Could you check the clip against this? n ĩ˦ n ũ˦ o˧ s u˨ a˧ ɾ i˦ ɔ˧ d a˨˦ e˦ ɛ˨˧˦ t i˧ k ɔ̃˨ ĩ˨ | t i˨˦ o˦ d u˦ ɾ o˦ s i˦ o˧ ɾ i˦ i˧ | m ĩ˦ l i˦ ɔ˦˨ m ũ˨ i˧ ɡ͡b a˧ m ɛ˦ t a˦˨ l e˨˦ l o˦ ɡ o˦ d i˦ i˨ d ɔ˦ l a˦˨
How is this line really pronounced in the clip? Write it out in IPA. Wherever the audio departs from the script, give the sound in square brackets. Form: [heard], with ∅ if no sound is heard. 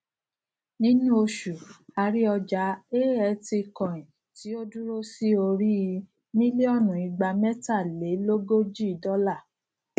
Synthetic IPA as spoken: n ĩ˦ n ũ˦ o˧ [ʃ] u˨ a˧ ɾ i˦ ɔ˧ [d͡ʒ] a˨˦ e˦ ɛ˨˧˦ t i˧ k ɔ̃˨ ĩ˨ | t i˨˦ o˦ d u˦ ɾ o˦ s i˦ o˧ ɾ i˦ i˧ | m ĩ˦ l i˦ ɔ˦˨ [n] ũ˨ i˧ ɡ͡b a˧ m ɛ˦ t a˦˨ l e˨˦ l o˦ ɡ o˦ [d͡ʒ] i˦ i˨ d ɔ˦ l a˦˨